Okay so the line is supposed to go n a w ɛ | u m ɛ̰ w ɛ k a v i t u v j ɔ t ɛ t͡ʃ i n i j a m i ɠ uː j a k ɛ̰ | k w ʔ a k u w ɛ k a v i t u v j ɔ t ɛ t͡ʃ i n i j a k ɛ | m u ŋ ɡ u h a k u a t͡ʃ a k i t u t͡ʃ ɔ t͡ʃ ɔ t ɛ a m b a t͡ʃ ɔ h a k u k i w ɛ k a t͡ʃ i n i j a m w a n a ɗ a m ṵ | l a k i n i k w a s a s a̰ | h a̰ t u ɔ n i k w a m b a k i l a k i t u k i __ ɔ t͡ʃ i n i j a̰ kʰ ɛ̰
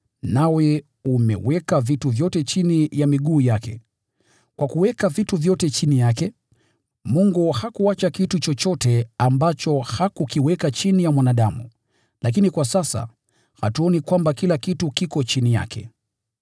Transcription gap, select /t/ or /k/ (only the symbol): k